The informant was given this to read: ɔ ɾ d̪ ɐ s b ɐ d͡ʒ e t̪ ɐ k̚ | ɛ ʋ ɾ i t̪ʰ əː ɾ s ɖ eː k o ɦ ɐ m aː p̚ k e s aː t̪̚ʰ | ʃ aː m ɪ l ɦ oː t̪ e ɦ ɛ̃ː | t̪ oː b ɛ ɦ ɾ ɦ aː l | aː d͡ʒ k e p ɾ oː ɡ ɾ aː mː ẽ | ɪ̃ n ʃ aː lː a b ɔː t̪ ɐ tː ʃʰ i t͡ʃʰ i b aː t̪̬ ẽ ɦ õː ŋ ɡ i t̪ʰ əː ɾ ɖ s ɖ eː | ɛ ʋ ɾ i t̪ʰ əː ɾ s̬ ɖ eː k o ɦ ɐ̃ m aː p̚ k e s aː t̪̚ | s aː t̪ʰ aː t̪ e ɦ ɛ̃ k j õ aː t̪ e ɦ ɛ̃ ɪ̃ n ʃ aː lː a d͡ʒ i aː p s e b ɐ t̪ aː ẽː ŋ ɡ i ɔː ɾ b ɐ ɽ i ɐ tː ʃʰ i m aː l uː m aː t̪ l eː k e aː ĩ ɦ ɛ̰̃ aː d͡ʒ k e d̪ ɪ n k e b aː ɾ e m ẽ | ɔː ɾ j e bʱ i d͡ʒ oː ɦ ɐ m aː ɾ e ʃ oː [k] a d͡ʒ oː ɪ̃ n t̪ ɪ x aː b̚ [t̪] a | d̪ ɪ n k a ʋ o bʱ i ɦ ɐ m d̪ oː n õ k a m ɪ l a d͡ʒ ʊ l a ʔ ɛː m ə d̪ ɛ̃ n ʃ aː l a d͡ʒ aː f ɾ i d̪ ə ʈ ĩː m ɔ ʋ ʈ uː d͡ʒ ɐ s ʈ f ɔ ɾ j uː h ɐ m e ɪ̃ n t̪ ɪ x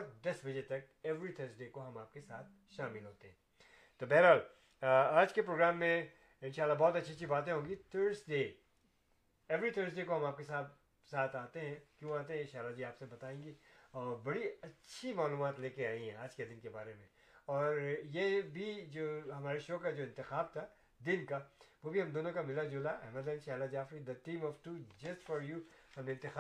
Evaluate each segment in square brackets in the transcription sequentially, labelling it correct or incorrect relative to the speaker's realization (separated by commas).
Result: correct, incorrect